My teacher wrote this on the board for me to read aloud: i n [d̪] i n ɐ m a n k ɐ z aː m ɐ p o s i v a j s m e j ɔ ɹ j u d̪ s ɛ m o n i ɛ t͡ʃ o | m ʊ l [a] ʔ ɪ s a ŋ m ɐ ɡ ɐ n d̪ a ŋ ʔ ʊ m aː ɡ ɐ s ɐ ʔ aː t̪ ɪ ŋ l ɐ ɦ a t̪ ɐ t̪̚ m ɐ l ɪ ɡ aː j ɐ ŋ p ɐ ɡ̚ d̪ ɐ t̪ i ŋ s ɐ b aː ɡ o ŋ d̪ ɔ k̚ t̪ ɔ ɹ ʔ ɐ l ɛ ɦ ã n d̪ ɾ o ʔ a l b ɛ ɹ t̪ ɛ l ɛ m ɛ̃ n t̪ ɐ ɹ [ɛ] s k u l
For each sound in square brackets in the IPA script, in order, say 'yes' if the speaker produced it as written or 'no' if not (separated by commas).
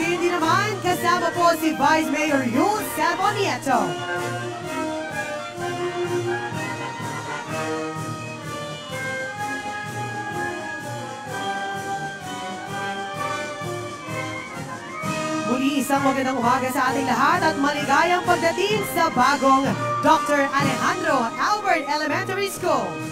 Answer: yes, no, no